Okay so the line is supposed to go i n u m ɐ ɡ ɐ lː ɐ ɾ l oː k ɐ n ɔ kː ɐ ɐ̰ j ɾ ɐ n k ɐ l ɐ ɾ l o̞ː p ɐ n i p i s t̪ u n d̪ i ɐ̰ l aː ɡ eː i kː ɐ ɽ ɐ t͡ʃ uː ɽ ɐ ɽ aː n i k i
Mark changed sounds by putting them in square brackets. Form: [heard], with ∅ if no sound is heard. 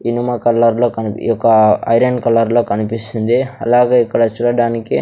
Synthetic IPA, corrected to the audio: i n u m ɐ [k] ɐ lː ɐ ɾ l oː k ɐ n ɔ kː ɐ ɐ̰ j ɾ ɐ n k ɐ l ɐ ɾ l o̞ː [k] ɐ n i p i s t̪ u n d̪ i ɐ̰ l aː ɡ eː i kː ɐ ɽ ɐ t͡ʃ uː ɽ ɐ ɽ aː n i k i